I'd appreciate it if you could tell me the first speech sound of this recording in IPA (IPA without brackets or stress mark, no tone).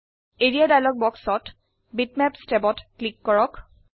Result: e